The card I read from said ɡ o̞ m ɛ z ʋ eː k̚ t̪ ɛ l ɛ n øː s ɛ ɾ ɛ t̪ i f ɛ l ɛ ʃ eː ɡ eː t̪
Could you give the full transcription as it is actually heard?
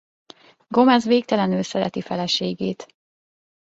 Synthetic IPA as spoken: ɡ o̞ m ɛ z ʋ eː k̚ t̪ ɛ l ɛ n øː s ɛ ɾ ɛ t̪ i f ɛ l ɛ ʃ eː ɡ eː t̪